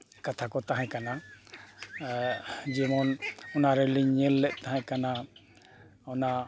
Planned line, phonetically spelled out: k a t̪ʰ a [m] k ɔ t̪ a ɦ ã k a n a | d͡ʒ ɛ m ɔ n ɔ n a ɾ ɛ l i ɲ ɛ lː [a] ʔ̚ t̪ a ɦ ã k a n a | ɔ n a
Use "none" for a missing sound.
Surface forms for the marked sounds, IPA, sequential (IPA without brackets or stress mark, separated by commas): none, ɛ